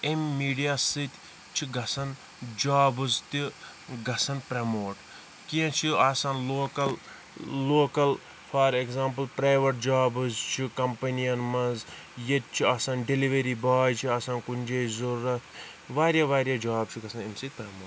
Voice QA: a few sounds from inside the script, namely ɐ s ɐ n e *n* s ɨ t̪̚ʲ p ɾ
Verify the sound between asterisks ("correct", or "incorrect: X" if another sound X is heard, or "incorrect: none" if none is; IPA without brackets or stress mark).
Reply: incorrect: m